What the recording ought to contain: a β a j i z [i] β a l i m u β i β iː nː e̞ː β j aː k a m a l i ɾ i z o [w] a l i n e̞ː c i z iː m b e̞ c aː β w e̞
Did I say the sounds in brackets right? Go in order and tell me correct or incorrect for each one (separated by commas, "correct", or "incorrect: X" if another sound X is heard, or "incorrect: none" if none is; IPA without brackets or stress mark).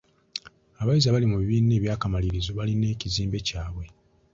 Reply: incorrect: a, incorrect: β